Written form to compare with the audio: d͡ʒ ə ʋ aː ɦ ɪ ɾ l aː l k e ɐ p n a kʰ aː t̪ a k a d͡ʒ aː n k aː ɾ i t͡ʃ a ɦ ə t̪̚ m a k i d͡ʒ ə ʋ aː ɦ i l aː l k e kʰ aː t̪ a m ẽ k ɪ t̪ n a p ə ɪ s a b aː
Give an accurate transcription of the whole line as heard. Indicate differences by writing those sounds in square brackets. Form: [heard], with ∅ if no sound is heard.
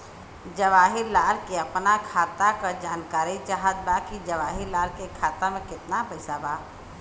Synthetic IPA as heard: d͡ʒ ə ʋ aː ɦ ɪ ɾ l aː l k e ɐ p n a kʰ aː t̪ a k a d͡ʒ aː n k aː ɾ i t͡ʃ a ɦ ə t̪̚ [b] a k i d͡ʒ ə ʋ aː ɦ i l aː l k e kʰ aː t̪ a m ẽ k ɪ t̪ n a p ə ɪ s a b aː